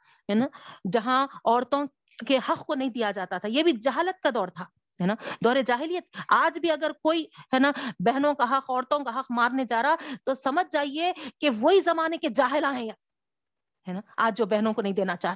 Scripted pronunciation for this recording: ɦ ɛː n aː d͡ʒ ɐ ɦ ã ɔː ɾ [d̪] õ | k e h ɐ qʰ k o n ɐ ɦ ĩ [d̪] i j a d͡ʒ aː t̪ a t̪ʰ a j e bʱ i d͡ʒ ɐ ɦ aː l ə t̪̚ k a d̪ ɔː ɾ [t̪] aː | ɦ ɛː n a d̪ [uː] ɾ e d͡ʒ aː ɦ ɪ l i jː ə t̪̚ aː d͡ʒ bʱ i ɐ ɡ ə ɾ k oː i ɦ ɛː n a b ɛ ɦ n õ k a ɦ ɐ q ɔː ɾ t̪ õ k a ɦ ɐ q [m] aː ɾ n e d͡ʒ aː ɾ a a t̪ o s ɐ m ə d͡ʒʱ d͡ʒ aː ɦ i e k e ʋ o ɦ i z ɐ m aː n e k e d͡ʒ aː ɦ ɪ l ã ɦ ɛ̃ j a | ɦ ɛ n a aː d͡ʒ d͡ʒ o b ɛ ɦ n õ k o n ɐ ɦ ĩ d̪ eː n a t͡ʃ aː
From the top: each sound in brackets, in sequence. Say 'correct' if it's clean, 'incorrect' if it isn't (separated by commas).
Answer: incorrect, correct, incorrect, incorrect, correct